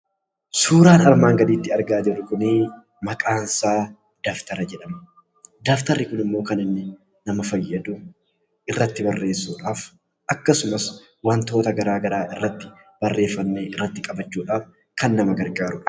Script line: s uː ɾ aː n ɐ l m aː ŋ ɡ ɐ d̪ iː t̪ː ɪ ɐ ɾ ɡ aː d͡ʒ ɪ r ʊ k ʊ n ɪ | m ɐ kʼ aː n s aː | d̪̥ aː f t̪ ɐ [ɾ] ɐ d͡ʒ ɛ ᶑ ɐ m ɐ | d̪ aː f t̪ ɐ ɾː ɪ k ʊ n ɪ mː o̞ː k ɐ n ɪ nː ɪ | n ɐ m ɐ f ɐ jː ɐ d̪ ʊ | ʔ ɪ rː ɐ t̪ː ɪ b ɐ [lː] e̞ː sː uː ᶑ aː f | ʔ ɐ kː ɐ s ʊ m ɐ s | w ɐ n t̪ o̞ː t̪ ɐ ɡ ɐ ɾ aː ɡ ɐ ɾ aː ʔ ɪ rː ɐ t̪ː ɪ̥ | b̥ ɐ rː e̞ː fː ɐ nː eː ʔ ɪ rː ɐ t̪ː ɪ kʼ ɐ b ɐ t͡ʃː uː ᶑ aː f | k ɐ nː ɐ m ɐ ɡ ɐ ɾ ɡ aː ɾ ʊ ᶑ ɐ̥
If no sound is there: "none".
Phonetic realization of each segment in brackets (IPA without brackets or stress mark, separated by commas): ɾ, rː